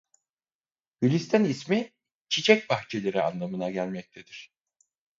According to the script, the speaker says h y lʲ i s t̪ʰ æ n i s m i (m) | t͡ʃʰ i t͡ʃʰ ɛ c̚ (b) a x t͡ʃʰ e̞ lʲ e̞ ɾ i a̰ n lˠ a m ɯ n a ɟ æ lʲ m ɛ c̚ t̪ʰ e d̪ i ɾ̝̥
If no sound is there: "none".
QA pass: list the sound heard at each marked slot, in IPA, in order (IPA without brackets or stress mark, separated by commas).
none, b